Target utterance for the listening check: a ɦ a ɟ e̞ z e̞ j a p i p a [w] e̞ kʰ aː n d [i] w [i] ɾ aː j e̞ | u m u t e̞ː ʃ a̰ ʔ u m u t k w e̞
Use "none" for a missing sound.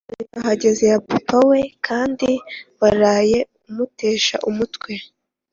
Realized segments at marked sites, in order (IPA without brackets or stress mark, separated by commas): w, i, a